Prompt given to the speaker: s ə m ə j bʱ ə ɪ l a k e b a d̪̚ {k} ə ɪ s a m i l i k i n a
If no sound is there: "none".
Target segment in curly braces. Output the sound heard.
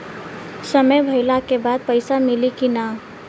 p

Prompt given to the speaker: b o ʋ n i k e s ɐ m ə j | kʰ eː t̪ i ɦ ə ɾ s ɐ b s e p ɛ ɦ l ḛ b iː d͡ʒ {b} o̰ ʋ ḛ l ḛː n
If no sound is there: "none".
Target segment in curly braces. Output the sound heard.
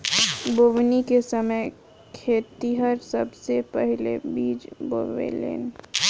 b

